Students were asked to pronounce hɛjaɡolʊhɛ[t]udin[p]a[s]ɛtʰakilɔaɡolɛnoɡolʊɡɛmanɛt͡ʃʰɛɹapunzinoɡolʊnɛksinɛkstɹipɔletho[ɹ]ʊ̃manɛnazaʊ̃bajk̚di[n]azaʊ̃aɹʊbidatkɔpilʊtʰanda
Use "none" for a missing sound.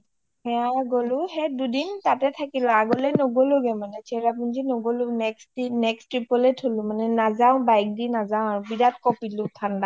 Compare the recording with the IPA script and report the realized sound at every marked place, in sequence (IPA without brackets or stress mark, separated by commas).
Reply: d, t, t, l, n